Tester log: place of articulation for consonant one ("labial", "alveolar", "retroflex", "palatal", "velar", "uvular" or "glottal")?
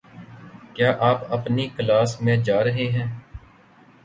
velar